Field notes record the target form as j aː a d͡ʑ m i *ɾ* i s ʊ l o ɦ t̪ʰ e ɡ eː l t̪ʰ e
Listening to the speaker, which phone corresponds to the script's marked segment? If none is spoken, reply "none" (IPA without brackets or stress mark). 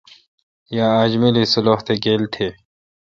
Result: l